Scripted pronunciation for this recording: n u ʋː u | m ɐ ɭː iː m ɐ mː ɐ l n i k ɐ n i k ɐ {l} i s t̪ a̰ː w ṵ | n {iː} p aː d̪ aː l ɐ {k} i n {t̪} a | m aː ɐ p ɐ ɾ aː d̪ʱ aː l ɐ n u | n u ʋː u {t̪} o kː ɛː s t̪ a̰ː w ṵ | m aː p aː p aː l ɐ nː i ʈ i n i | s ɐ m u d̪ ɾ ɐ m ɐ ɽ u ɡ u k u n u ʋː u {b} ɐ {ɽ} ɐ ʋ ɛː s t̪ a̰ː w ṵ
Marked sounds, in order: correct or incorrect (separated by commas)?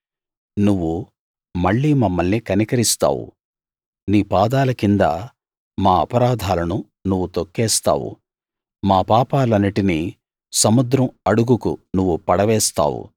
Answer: incorrect, correct, correct, incorrect, correct, incorrect, correct